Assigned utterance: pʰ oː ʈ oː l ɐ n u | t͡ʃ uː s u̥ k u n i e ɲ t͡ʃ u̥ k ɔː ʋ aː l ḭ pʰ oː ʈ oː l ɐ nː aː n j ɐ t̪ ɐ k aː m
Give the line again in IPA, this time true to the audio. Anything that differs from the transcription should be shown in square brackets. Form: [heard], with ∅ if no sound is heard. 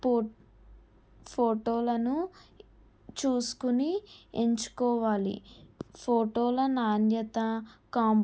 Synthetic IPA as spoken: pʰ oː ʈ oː l ɐ n u | t͡ʃ uː s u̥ k u n i e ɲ t͡ʃ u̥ k ɔː ʋ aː l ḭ pʰ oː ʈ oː l ɐ [n] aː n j ɐ t̪ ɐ k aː m